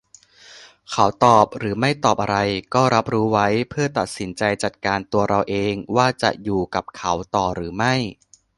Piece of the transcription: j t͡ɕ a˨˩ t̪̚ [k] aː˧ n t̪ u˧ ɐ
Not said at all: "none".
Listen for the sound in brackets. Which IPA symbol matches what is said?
k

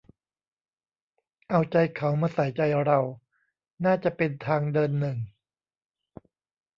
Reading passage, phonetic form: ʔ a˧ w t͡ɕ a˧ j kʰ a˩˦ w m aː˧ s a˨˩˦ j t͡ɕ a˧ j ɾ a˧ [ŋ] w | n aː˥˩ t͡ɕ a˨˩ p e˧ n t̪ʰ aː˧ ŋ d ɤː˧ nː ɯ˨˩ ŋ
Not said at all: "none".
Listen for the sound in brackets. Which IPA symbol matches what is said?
none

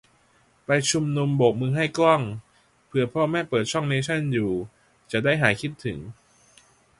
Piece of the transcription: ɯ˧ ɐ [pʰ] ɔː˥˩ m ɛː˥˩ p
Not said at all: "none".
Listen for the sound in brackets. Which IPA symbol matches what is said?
pʰ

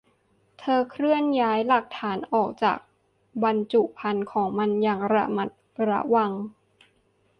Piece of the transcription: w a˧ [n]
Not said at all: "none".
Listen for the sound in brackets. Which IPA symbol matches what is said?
ŋ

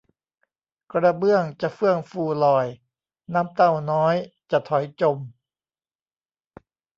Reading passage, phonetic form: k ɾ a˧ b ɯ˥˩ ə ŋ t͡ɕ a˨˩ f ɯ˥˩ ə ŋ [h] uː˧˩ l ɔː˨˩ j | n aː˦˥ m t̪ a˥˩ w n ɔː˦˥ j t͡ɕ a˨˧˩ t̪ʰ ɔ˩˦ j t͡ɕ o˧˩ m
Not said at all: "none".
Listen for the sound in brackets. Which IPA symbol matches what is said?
f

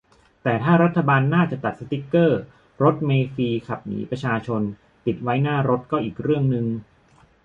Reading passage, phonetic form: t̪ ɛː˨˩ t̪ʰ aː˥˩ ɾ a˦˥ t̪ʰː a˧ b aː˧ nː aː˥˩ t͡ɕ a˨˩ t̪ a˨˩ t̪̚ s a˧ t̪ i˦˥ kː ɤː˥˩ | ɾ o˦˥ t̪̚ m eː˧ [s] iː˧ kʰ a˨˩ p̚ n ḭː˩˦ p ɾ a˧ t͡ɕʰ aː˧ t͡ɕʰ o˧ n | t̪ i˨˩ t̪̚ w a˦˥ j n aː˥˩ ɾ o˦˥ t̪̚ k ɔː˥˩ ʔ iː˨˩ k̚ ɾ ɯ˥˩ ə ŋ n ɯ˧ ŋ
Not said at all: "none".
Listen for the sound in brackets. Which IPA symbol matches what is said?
f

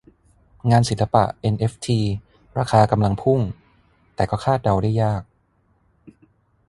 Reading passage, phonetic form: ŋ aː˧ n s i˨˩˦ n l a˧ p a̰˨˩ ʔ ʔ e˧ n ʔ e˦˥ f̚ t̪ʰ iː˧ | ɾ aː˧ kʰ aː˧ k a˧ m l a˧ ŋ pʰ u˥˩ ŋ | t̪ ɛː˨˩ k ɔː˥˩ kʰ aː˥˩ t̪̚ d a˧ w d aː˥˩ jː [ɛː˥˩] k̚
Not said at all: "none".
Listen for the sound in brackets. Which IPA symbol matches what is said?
aː˥˩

